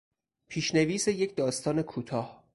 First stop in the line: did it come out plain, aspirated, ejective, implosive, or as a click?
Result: aspirated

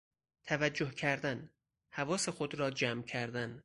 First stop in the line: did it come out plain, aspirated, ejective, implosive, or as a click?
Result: aspirated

